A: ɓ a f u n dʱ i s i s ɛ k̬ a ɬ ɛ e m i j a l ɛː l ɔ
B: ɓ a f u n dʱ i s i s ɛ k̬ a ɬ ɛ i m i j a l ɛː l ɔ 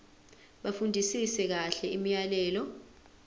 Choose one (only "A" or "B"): B